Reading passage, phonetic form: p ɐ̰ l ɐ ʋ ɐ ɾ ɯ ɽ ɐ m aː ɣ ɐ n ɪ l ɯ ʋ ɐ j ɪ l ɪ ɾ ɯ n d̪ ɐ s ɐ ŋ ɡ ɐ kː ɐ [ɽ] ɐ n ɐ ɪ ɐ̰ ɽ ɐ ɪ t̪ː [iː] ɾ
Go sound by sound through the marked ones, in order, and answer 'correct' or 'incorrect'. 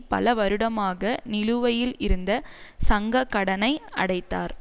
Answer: correct, incorrect

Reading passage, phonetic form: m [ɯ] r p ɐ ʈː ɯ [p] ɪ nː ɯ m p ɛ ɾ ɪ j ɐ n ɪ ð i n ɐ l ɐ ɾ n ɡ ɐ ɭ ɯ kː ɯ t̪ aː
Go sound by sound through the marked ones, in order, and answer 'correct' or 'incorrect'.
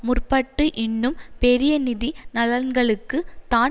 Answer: incorrect, incorrect

